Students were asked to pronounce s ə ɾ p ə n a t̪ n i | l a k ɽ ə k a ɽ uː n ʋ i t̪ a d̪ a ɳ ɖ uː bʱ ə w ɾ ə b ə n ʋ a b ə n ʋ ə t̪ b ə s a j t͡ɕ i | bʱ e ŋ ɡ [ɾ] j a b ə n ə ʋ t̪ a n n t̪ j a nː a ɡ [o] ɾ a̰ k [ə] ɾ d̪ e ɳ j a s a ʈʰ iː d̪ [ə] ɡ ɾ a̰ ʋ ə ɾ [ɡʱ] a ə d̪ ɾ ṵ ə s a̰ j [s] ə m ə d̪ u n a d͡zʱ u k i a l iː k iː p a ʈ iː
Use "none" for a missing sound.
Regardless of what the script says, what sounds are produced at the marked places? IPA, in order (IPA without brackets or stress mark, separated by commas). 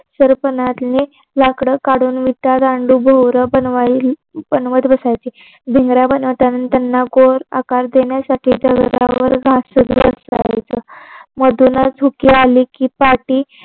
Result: ɾ, o, a, ə, ɡʱ, t͡s